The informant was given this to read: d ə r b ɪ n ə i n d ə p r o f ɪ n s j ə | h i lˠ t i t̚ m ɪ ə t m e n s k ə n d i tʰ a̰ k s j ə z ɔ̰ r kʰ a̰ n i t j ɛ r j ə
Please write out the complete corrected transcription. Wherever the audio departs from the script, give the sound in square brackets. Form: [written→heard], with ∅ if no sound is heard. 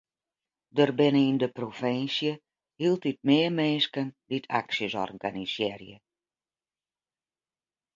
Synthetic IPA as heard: d ə r b ɪ n ə i n d ə p r o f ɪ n s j ə | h i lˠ t i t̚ m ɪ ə [t→∅] m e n s k ə n d i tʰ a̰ k s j ə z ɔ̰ r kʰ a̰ n i [t→s] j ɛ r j ə